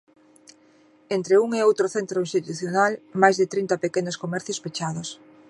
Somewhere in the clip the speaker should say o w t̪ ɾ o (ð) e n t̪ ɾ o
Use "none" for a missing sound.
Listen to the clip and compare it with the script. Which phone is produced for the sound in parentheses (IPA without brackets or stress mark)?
θ